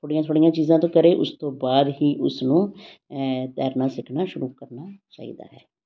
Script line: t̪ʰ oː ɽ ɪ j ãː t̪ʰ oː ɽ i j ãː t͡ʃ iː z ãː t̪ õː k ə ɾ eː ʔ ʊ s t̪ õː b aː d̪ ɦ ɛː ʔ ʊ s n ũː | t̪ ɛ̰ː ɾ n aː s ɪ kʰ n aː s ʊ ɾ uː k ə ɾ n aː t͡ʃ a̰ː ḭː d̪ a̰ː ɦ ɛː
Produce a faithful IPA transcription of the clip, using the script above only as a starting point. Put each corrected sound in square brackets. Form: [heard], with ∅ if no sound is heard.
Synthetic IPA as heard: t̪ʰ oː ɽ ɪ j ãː t̪ʰ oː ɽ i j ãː t͡ʃ iː z ãː t̪ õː k ə ɾ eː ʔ ʊ s t̪ õː b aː d̪ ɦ [iː] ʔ ʊ s n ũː | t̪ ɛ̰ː ɾ n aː s ɪ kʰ n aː [ʃ] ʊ ɾ uː k ə ɾ n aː t͡ʃ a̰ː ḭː d̪ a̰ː ɦ ɛː